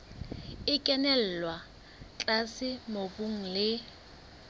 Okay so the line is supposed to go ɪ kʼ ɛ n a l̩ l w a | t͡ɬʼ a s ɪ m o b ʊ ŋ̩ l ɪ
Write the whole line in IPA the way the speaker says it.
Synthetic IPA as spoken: ɪ kʼ ɛ n ɛ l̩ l w a | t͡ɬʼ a s ɪ m o b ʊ ŋ̩ l ɪ